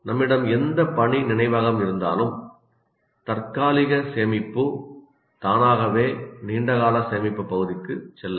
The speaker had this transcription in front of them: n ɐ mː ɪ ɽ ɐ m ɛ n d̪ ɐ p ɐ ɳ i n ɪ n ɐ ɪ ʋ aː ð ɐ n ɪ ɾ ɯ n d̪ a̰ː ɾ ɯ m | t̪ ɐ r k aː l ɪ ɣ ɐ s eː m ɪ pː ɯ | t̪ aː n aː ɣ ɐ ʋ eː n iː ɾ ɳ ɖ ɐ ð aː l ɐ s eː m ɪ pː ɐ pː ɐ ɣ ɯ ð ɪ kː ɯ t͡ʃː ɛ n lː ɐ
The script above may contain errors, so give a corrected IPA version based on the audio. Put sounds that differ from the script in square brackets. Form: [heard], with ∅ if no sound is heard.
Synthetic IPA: n ɐ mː ɪ ɽ ɐ m ɛ n d̪ ɐ p ɐ ɳ i n ɪ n ɐ ɪ ʋ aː [ɣ] ɐ [m] ɪ ɾ ɯ n d̪ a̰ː [l] ɯ m | t̪ ɐ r k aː l ɪ ɣ ɐ s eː m ɪ pː ɯ | t̪ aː n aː ɣ ɐ ʋ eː n iː [∅] ɳ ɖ ɐ [ɣ] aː l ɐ s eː m ɪ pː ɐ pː ɐ ɣ ɯ ð ɪ kː ɯ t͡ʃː ɛ [∅] lː ɐ